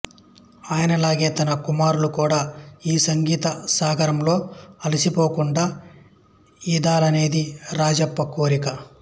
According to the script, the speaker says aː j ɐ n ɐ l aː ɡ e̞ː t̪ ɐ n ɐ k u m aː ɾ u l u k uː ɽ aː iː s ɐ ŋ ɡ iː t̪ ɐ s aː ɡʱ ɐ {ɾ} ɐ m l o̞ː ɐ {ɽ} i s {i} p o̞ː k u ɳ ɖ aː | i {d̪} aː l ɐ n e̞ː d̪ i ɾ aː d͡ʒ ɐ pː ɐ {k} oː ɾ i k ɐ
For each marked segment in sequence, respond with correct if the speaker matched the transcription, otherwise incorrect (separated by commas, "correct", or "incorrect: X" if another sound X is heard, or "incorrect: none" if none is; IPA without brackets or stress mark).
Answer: correct, incorrect: l, correct, correct, correct